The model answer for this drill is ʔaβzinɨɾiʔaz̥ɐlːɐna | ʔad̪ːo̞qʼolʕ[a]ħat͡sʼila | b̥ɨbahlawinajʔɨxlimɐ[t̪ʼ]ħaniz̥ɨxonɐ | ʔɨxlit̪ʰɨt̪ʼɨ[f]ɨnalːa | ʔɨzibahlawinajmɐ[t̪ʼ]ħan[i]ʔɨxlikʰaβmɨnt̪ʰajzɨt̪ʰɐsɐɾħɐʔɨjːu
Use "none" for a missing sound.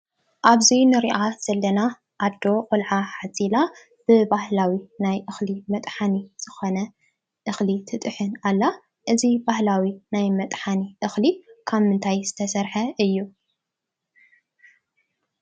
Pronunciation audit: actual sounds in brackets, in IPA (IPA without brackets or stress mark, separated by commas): a, t̪ʼ, ħ, t̪ʼ, i